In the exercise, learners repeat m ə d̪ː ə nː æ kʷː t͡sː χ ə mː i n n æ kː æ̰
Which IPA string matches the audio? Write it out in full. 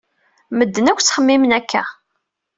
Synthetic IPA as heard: m ə d̪ː ə n æ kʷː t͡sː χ ə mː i m n æ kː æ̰